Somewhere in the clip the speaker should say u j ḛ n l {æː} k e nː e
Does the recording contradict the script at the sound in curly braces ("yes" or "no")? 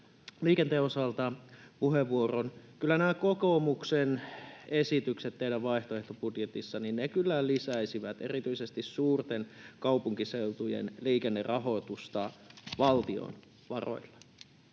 yes